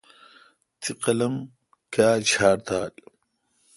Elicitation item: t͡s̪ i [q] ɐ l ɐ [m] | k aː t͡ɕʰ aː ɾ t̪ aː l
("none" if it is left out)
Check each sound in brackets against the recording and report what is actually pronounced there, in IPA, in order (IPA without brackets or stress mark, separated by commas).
q, m